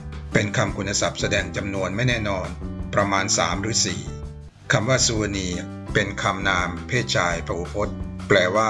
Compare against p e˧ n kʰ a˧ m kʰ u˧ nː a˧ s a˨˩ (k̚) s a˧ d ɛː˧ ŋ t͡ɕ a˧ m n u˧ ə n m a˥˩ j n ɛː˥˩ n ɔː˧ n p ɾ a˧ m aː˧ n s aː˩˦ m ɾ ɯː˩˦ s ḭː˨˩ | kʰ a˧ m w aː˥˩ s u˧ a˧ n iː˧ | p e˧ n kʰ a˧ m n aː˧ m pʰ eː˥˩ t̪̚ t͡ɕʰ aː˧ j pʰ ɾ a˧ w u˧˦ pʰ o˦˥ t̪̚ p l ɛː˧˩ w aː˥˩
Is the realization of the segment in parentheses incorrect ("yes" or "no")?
yes